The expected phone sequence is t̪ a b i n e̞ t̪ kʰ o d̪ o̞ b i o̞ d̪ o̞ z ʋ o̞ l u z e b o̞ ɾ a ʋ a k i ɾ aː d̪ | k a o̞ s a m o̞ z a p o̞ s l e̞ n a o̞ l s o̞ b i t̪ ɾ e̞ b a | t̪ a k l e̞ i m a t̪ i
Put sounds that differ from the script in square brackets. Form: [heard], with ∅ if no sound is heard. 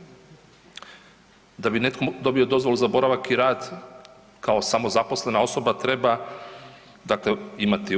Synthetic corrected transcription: [d̪] a b i n e̞ t̪ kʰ o d̪ o̞ b i o̞ d̪ o̞ z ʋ o̞ l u z [a] b o̞ ɾ a ʋ a k i ɾ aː d̪ | k a o̞ s a m o̞ z a p o̞ s l e̞ n a o̞ [∅] s o̞ b [a] t̪ ɾ e̞ b a | [d̪] a k l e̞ i m a t̪ i